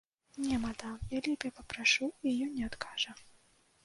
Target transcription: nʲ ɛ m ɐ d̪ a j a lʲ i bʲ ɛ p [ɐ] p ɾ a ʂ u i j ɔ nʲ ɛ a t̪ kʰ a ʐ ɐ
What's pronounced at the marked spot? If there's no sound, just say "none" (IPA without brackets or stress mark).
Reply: ɐ